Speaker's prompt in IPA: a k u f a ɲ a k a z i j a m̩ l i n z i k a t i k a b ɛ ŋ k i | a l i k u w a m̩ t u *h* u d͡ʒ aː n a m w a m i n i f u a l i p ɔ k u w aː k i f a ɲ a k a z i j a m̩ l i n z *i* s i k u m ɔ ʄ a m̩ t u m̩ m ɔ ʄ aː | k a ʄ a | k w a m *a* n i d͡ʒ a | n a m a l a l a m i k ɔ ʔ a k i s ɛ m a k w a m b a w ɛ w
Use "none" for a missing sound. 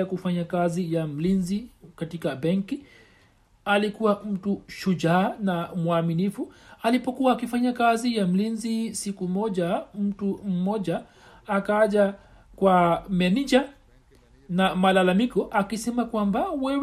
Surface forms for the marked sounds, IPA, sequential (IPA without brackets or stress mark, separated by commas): ʃ, i, ɛ